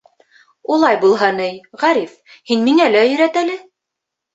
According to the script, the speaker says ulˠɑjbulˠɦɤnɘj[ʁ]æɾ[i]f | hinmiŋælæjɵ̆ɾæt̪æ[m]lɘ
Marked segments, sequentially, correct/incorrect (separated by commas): correct, correct, incorrect